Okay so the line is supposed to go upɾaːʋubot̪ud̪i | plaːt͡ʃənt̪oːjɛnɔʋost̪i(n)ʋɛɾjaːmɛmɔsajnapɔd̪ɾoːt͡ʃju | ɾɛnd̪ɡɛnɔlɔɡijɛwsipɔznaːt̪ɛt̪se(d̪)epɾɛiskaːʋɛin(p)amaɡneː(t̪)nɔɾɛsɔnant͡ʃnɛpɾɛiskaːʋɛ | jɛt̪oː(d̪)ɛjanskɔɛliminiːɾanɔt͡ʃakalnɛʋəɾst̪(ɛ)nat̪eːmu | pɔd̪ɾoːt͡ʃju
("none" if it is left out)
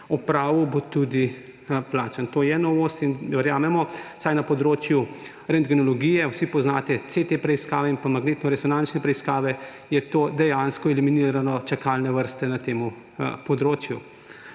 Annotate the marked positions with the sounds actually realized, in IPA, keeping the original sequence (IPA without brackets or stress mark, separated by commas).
n, t̪, p, t̪, d̪, ɛ